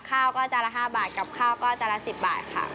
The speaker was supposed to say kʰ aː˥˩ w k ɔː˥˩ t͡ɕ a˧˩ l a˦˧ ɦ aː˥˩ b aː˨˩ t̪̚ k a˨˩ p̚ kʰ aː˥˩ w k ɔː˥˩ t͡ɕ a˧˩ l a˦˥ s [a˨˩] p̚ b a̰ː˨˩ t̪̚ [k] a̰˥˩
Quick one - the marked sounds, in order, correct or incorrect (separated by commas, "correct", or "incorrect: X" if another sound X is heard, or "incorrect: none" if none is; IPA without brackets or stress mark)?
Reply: incorrect: i˨˩, incorrect: kʰ